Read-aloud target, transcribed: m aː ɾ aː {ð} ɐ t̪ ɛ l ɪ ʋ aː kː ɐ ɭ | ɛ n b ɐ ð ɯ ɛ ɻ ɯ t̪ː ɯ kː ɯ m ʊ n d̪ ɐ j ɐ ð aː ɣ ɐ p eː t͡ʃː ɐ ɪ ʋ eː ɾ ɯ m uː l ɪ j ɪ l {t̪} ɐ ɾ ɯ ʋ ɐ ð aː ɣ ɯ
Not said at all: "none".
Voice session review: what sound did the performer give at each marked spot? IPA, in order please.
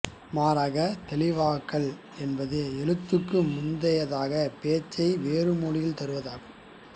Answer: ɣ, t̪

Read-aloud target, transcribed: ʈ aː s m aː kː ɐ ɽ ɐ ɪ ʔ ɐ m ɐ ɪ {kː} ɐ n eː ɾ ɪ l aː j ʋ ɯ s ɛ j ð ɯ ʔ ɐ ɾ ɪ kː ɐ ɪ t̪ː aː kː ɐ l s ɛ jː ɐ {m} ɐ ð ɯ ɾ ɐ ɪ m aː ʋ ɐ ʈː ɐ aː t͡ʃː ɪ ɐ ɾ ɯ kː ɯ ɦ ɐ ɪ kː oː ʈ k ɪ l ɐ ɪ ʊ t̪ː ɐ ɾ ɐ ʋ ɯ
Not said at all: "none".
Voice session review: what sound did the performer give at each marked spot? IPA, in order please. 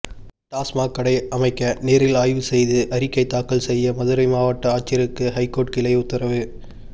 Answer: kː, m

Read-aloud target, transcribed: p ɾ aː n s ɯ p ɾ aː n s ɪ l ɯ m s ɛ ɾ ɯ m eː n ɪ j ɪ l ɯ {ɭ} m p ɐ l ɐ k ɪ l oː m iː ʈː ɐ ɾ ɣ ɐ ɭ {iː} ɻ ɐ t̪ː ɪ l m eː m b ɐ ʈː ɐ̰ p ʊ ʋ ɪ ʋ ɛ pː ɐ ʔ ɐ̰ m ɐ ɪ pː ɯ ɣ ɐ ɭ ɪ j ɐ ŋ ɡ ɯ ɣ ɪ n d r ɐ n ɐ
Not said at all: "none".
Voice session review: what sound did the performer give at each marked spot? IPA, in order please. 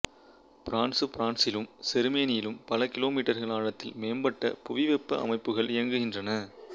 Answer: none, aː

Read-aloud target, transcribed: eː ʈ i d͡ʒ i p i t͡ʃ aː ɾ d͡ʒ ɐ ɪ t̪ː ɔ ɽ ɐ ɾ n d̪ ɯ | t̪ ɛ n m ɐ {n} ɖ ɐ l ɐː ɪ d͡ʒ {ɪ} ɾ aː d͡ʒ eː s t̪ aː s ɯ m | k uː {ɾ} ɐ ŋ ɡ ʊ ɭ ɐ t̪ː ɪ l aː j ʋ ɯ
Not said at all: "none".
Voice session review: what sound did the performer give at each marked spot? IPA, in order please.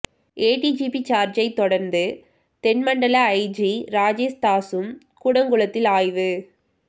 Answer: ɳ, i, ɽ

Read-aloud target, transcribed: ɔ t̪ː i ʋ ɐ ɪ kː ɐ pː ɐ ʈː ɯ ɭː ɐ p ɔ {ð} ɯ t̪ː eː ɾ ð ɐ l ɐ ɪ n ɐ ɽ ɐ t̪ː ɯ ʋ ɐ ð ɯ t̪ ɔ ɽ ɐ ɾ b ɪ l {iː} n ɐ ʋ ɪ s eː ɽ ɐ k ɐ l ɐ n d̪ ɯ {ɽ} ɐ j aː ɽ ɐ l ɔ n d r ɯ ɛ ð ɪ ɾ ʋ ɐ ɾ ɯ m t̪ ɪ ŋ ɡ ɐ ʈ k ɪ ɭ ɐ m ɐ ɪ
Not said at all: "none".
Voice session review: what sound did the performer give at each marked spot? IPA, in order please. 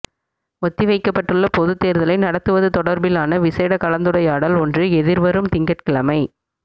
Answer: ð, aː, ɽ

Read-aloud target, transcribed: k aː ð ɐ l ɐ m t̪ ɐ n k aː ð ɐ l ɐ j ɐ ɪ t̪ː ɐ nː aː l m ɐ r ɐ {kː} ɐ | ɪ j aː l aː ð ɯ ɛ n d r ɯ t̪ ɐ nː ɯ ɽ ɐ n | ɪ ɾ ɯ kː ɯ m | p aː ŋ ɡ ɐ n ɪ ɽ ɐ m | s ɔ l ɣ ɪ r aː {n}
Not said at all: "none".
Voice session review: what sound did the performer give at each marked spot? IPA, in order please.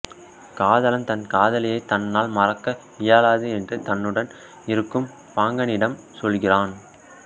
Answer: kː, n

